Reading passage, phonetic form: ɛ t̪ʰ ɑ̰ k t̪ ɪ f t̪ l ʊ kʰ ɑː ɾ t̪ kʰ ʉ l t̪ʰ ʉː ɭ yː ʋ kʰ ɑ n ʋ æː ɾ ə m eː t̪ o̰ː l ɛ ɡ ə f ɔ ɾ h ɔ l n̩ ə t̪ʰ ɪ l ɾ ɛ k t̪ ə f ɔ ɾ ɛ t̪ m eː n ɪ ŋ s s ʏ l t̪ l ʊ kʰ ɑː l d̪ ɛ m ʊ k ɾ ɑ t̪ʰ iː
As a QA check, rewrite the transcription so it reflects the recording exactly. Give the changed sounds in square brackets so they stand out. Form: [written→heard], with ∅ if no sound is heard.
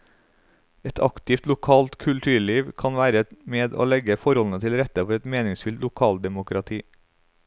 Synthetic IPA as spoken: ɛ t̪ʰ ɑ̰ k t̪ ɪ f t̪ l ʊ kʰ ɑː [ɾ→l] t̪ kʰ ʉ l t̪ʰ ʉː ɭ [yː→iː] ʋ kʰ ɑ n ʋ æː ɾ ə m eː [t̪→d̪] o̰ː l ɛ ɡ ə f ɔ ɾ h ɔ l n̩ ə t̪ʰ ɪ l ɾ ɛ [k→∅] t̪ ə f ɔ ɾ ɛ t̪ m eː n ɪ ŋ s [s→f] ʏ l t̪ l ʊ kʰ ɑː l d̪ ɛ m ʊ k ɾ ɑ t̪ʰ iː